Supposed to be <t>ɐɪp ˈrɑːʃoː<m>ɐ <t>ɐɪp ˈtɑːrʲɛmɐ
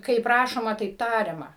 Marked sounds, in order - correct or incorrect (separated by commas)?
incorrect, correct, correct